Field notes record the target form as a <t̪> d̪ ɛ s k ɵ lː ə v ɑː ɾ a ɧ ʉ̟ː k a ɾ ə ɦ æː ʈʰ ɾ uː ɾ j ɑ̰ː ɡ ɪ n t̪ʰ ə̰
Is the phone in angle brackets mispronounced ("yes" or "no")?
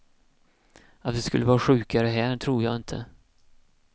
no